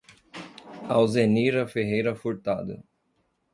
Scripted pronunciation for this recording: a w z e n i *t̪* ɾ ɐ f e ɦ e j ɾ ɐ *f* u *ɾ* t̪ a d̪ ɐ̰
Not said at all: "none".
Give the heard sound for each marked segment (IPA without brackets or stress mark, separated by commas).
none, f, ɾ